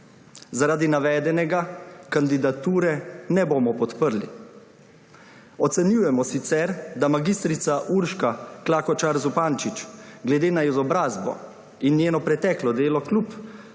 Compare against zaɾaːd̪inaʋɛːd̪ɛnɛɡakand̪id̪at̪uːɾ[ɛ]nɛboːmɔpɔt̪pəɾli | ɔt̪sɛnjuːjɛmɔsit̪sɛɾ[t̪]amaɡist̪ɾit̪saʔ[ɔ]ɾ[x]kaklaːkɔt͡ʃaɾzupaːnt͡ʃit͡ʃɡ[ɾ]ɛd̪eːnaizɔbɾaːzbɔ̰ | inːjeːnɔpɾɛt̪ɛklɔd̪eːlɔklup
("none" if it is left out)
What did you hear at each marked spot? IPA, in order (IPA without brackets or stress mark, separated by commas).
ɛ, d̪, u, ʃ, l